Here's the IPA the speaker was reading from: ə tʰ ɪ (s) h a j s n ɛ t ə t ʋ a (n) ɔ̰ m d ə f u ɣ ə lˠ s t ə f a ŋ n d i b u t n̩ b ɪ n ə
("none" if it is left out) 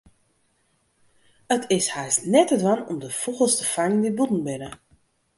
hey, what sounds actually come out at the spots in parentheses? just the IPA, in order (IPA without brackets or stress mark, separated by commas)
s, n